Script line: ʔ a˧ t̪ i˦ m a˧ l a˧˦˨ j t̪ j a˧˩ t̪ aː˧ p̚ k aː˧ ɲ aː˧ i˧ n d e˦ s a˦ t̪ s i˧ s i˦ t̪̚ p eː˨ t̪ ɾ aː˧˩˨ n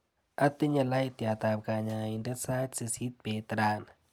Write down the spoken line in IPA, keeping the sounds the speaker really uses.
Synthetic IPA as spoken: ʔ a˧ t̪ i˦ ɲ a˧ l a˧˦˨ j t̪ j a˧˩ t̪ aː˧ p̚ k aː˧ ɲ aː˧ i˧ n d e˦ s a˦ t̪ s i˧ s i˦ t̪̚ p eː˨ t̪ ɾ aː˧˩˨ n